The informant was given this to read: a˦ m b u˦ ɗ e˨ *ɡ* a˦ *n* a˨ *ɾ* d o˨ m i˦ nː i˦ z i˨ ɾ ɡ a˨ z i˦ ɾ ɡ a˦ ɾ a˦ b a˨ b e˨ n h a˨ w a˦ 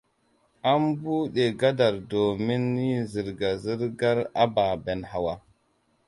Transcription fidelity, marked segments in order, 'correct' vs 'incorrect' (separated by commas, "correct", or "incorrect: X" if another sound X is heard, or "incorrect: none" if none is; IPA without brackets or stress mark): correct, incorrect: d, correct